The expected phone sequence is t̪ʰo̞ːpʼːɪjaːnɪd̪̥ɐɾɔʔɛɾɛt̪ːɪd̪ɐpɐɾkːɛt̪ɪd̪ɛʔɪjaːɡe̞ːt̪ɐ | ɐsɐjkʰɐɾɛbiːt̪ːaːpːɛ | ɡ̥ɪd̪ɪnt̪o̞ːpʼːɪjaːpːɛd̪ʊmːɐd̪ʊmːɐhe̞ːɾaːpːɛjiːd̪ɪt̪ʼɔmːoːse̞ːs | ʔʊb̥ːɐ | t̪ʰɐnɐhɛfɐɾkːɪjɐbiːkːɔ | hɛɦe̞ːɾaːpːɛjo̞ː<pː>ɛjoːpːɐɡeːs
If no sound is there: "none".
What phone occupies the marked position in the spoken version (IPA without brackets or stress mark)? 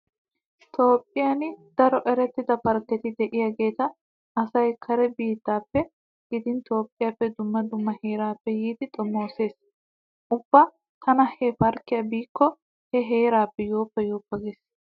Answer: pː